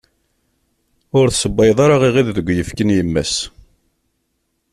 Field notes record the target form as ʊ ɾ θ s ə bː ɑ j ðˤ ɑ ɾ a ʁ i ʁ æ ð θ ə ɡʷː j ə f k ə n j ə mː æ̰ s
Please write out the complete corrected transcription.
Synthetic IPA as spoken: ʊ ɾ θ s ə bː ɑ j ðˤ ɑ ɾ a ʁ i ʁ i ð ð ə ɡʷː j ə f k ə n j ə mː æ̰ s

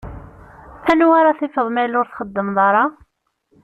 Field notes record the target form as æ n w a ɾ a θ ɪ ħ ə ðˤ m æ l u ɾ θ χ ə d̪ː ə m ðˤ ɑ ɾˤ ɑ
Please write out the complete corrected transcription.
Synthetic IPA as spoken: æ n w a ɾ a θ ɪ f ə ðˤ m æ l ʊ ɾ θ χ ə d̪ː ə m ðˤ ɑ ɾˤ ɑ

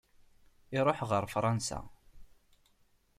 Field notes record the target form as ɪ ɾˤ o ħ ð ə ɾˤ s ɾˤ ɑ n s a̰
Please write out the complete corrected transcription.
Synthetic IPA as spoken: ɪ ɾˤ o ħ ʁ ə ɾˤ f ɾˤ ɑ n s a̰

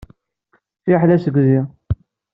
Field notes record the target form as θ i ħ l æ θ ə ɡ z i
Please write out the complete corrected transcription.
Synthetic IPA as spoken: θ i ħ l æ s ə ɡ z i

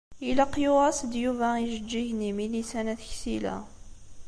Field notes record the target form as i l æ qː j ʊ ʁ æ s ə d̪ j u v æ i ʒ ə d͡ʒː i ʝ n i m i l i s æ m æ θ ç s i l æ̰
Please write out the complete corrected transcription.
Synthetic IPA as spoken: i l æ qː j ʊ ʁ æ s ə d̪ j u v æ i ʒ ə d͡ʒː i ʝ n i m i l i s æ n æ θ ç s i l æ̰

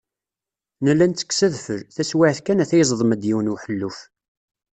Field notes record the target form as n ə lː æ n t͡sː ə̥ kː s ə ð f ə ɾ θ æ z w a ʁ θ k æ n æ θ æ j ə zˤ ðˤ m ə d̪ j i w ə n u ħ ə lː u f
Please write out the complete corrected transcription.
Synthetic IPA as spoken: n ə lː æ n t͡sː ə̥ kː s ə ð f ə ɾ θ æ s w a ʕ θ k æ n æ θ æ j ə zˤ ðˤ m ə d̪ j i w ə n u ħ ə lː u f

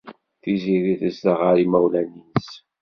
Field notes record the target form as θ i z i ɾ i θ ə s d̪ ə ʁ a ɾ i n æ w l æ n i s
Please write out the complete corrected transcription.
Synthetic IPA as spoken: θ i z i ɾ i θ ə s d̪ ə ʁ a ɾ i m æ w l æ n i s

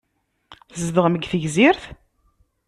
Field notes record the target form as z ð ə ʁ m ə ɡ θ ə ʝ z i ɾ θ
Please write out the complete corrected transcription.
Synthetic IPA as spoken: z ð ə ʁ m ə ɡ θ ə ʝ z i ɾ θ

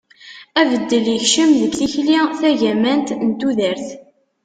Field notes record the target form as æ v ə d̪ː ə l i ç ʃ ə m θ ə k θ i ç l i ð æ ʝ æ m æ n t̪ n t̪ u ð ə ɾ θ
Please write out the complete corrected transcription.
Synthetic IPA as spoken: æ v ə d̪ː ə l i ç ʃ ə m ð ə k θ i ç l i θ æ ʝ æ m æ n t̪ n t̪ u ð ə ɾ θ

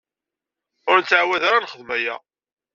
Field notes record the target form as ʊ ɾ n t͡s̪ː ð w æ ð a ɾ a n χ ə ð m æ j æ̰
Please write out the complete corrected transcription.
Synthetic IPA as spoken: ʊ ɾ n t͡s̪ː ʕ w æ ð a ɾ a n χ ə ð m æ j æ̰

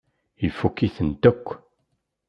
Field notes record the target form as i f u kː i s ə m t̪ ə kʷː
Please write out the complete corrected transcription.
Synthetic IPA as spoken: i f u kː i θ ə n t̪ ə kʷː

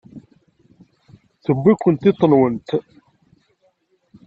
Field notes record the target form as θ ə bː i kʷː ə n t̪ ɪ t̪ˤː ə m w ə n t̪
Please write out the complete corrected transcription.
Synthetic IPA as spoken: θ ə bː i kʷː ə n t̪ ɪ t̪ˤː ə n w ə n t̪

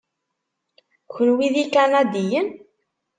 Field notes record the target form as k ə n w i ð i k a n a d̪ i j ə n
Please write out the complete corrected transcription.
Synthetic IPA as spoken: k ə n w i ð i k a n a d̪ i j ə n

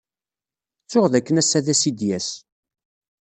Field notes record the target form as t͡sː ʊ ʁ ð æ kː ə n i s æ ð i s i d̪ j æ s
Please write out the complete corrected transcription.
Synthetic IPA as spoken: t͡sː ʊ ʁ ð æ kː ə n æ s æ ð æ s i d̪ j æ s

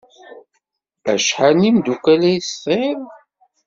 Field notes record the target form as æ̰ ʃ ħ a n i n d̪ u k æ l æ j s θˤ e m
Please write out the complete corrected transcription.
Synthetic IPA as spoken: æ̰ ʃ ħ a n i m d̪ u k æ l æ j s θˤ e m

